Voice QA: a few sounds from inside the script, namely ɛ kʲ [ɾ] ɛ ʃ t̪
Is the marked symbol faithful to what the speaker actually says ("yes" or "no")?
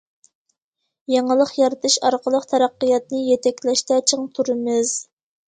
no